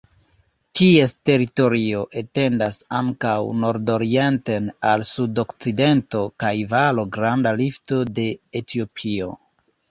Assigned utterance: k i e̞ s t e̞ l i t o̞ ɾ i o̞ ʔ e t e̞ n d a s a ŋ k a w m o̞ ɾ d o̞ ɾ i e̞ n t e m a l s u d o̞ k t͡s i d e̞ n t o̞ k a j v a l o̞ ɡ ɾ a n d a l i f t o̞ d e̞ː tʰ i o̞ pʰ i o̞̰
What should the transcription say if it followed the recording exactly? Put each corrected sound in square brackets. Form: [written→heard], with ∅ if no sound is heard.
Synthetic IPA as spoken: k i e̞ s t e̞ [l→ɾ] i t o̞ ɾ i o̞ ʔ e t e̞ n d a s a ŋ k a w [m→n] o̞ ɾ d o̞ ɾ i e̞ n t e [m→n] a l s u d o̞ k t͡s i d e̞ n t o̞ k a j v a l o̞ ɡ ɾ a n d a l i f t o̞ d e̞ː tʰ i o̞ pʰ i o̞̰